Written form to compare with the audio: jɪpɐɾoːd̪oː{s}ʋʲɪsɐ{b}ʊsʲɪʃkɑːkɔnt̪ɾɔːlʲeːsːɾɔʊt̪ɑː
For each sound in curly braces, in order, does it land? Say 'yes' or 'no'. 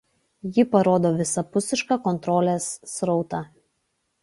no, no

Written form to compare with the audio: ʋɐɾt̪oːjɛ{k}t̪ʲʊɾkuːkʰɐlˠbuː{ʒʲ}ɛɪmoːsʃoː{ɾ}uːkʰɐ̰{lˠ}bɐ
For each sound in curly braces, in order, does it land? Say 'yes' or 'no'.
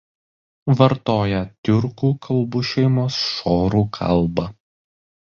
no, no, yes, yes

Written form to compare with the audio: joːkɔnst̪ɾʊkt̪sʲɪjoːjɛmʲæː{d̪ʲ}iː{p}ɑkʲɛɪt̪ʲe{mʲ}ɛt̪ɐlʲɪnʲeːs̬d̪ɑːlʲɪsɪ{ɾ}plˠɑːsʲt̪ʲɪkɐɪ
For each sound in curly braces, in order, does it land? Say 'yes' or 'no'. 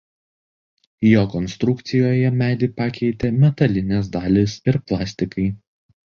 yes, yes, yes, yes

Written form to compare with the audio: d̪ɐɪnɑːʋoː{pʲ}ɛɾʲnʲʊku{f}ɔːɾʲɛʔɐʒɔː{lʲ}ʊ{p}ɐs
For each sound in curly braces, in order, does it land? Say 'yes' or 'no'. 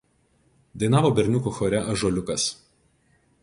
no, no, yes, no

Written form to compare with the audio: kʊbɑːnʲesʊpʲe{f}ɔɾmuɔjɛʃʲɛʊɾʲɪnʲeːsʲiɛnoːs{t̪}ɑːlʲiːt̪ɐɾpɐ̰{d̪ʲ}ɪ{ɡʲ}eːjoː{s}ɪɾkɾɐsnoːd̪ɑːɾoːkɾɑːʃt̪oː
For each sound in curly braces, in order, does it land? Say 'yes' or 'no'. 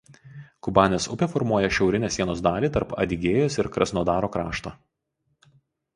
yes, no, yes, yes, yes

